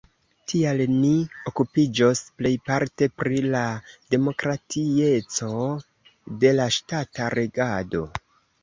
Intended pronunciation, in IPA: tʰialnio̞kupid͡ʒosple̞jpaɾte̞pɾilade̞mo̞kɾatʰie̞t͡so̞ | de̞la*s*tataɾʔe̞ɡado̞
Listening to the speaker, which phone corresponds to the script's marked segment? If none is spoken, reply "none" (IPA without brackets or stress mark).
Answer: ʃ